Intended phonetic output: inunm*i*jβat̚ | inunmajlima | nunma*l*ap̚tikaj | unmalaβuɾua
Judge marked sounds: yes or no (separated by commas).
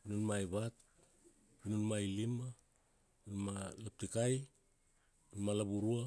no, yes